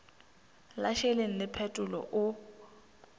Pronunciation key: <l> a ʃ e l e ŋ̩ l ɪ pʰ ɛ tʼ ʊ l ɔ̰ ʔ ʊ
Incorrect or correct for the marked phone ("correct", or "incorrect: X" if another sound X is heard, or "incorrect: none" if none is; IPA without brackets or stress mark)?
correct